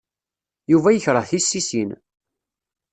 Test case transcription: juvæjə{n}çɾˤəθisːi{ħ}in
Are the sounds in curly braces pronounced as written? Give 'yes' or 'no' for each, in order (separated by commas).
no, no